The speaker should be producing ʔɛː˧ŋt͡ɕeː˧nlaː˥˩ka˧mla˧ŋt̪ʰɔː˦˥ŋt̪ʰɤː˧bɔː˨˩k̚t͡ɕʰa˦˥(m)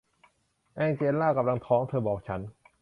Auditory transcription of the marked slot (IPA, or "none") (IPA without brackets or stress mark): n